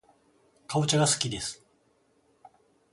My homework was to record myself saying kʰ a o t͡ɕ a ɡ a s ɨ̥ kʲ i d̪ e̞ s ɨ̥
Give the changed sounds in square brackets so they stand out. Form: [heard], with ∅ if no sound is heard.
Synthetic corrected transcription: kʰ a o t͡ɕ a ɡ a s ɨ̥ kʲ i d̪ e̞ s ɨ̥